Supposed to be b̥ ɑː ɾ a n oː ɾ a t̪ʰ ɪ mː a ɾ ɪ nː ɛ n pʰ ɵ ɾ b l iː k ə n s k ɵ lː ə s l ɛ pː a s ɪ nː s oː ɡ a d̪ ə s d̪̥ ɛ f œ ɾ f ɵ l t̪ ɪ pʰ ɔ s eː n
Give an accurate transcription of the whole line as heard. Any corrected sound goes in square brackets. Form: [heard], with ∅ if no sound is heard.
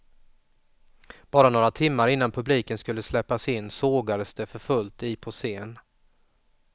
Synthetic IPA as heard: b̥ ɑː ɾ a n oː ɾ a t̪ʰ ɪ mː a ɾ ɪ nː [a] n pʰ ɵ [∅] b l iː k ə n s k ɵ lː ə s l ɛ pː a s ɪ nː s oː ɡ a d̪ ə s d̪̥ ɛ f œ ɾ f ɵ l t̪ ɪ pʰ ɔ s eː n